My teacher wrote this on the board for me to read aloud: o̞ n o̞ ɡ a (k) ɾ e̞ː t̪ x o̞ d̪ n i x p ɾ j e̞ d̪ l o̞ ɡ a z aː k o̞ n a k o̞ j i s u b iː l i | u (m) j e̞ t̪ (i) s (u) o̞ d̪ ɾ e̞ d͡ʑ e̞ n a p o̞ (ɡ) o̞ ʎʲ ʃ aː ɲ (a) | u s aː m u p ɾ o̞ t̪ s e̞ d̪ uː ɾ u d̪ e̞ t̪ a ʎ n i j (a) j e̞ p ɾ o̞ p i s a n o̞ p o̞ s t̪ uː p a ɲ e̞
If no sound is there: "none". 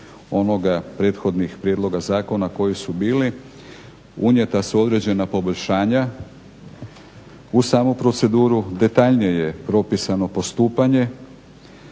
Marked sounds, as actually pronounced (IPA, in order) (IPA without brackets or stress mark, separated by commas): p, ɲ, a, u, b, a, e